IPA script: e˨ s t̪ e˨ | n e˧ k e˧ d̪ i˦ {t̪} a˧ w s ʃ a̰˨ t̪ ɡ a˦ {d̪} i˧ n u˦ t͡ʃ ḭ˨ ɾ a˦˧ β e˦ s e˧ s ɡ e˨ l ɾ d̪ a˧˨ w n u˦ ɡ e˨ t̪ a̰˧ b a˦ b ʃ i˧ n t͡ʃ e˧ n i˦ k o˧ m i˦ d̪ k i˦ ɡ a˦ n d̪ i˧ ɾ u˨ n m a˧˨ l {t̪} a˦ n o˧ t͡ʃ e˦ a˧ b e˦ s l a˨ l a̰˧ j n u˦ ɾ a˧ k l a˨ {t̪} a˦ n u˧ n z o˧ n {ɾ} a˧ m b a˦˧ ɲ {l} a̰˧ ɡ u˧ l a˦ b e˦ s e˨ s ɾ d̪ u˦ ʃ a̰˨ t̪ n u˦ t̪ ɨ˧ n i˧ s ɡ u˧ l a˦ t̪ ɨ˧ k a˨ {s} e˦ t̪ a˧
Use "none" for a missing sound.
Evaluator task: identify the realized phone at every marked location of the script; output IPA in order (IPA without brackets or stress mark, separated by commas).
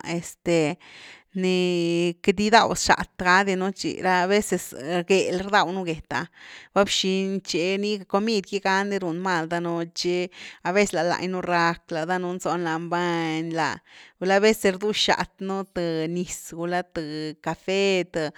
d̪, d̪, d̪, d̪, l, l, f